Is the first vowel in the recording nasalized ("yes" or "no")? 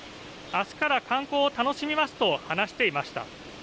no